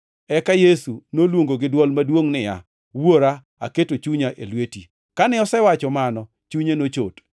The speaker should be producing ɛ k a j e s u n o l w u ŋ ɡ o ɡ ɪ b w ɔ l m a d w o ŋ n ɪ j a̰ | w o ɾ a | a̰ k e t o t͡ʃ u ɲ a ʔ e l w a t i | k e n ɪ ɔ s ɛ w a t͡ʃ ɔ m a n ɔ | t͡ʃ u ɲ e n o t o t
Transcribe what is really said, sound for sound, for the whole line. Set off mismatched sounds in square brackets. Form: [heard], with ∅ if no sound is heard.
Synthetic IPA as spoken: ɛ k a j e s u n o l w [o] ŋ ɡ o ɡ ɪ [d] w ɔ l m a d w o ŋ n ɪ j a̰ | w o ɾ a | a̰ k e t o t͡ʃ u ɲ a ʔ e l w [e] t i | k [a] n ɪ ɔ s ɛ w a t͡ʃ ɔ m a n ɔ | t͡ʃ u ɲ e n o [t͡ʃ] o t